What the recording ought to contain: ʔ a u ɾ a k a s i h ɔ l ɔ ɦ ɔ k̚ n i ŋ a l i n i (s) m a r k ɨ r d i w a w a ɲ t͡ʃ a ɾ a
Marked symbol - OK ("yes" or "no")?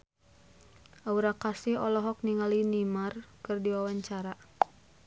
no